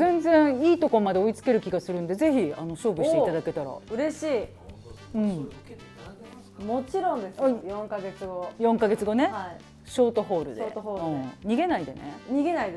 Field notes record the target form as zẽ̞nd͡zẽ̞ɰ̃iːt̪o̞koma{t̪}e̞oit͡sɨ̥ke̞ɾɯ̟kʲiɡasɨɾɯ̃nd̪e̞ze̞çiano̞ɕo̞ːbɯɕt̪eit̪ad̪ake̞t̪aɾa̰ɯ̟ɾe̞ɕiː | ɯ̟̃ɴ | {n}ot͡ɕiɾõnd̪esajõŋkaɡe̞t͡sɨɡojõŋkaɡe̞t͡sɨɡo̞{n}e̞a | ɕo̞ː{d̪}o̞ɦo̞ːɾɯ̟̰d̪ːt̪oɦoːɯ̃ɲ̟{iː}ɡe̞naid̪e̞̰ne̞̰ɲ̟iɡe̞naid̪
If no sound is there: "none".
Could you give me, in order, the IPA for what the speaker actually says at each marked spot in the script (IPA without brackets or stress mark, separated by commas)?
d̪, m, n, t̪, i